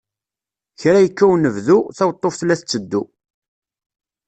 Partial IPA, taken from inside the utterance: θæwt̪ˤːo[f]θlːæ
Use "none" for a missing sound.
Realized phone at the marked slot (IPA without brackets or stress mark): f